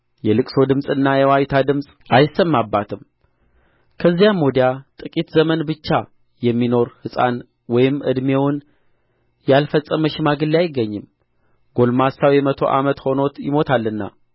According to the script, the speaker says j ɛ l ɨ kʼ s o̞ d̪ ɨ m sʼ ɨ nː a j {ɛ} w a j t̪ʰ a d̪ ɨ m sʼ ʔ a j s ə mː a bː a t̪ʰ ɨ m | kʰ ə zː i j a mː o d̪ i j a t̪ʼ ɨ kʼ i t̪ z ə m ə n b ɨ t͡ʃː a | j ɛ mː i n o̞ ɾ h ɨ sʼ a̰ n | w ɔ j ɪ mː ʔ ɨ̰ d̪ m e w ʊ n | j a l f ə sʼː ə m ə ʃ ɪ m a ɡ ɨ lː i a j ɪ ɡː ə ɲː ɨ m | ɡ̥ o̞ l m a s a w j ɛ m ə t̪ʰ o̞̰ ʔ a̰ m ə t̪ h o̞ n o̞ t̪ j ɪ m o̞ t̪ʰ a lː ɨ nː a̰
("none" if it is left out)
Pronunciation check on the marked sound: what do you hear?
ɛ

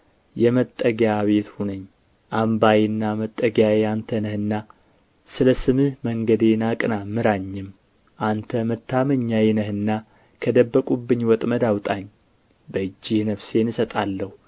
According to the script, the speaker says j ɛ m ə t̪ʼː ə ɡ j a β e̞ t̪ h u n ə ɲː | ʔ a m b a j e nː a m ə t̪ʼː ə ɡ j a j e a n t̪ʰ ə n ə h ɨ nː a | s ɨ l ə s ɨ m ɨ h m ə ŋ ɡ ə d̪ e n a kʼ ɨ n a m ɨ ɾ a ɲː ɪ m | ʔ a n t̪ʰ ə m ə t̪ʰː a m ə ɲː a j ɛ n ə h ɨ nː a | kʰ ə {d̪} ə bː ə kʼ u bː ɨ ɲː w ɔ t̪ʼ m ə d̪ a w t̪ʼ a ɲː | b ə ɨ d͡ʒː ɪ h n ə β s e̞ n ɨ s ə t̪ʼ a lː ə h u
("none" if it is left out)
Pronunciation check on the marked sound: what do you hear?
d̪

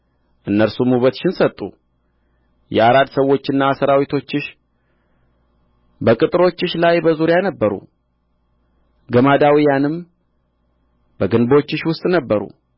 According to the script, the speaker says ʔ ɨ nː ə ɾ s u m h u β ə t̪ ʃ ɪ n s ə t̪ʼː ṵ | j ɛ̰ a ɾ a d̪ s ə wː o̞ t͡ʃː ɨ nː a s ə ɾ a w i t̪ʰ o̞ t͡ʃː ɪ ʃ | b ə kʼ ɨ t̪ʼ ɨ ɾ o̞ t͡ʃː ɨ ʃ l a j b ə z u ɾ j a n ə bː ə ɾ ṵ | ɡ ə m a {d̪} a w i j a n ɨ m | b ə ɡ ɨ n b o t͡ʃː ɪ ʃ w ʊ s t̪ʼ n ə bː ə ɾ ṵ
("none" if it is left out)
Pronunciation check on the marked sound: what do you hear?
d̪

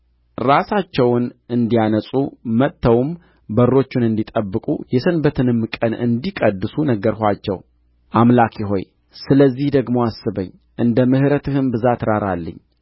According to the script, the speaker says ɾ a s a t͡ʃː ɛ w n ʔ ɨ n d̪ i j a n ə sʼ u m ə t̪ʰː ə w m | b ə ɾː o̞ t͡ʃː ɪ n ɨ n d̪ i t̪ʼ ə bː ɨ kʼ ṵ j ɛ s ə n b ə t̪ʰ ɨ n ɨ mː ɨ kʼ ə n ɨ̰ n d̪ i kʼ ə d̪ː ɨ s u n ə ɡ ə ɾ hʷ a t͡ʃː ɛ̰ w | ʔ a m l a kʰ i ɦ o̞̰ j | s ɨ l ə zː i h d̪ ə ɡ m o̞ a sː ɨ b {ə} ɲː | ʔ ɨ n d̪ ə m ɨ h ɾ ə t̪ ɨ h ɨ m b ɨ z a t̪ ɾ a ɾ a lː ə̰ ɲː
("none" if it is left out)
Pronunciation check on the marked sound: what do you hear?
ə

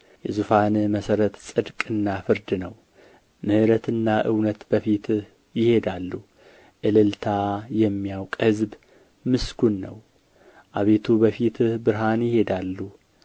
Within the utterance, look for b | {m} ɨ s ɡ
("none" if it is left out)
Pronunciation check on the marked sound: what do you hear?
m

